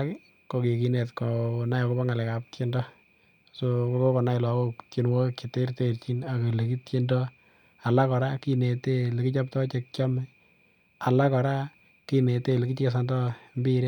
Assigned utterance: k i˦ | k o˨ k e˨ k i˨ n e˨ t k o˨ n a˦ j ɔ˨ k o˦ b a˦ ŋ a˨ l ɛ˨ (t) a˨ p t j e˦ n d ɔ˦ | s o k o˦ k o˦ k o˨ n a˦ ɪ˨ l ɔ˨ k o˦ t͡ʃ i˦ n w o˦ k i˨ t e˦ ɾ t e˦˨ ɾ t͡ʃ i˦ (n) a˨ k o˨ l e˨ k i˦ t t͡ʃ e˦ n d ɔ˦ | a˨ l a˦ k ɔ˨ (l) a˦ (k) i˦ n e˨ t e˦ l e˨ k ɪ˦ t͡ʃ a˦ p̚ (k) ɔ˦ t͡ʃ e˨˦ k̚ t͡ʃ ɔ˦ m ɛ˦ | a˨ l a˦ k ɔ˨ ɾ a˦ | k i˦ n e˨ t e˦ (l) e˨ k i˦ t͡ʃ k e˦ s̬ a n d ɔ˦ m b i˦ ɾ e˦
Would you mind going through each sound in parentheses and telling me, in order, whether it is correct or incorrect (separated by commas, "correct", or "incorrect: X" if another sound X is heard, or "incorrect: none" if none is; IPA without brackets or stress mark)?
incorrect: k, correct, incorrect: ɾ, correct, incorrect: t, correct